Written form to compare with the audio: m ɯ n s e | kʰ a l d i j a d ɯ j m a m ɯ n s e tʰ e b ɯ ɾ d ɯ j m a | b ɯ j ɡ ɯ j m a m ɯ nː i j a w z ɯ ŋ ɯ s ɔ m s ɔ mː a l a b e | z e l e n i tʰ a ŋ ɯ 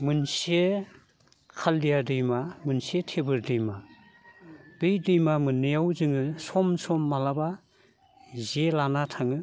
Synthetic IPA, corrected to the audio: m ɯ n s e | kʰ a l d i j a d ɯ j m a m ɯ n s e tʰ e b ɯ ɾ d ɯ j m a | b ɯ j d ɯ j m a m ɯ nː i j a w z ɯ ŋ ɯ s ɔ m s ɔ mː a l a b a | z e l a n a tʰ a ŋ ɯ